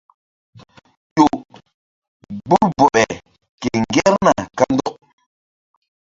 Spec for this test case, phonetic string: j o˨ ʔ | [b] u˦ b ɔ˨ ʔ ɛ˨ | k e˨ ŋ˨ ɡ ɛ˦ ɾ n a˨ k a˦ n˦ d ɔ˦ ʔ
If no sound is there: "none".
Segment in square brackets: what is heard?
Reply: b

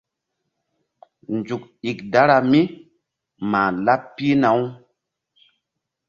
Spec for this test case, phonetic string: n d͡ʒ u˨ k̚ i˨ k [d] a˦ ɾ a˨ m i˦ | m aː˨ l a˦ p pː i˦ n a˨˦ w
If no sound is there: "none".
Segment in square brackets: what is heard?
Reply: d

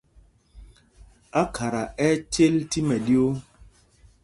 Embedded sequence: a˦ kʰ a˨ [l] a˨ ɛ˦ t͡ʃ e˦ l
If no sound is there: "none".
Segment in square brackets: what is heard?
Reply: ɾ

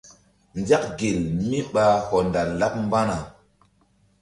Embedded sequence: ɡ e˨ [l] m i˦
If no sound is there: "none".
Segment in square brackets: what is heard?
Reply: l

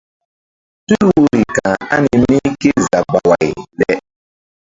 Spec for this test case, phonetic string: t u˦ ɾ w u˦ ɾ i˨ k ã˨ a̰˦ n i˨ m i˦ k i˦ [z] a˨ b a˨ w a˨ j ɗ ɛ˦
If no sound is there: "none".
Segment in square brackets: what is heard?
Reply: z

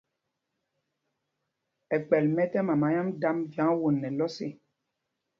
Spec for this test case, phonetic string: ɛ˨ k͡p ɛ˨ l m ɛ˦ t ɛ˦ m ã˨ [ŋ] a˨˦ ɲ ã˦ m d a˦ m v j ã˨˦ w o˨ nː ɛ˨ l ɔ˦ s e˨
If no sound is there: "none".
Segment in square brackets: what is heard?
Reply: m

